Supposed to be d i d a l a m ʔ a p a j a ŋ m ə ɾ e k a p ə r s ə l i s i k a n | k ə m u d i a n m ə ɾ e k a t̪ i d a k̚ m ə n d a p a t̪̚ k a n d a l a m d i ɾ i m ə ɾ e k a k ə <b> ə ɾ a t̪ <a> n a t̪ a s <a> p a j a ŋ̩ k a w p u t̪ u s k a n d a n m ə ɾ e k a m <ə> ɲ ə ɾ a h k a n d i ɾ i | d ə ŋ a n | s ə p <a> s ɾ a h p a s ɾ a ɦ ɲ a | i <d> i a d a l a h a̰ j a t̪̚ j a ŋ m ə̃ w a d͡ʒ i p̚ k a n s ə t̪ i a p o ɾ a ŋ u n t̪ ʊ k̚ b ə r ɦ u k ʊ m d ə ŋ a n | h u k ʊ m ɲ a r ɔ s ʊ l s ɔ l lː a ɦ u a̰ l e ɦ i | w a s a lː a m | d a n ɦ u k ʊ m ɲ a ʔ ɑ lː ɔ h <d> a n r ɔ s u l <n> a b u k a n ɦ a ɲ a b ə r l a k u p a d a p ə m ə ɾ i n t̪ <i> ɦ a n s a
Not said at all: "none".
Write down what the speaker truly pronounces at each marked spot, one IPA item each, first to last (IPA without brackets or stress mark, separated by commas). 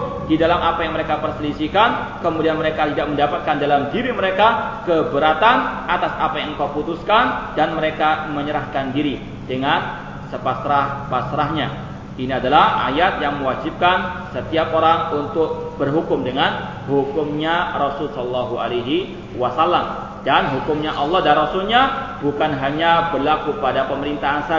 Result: b, a, a, ə, a, n, d, ɲ, a